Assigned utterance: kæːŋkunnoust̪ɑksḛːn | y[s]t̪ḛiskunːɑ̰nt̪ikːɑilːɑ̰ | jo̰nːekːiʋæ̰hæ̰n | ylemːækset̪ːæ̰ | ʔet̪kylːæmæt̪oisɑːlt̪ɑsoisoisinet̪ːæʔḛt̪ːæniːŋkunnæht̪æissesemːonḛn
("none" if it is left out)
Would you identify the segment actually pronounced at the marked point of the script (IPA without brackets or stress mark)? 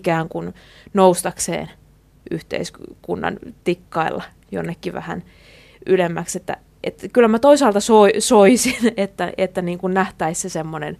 h